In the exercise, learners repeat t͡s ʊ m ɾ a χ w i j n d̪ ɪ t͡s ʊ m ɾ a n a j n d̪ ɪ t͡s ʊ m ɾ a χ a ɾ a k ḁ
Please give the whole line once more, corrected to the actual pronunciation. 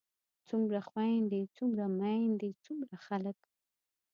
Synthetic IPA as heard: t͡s ʊ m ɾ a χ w a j n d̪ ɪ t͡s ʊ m ɾ a m a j n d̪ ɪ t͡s ʊ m ɾ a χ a l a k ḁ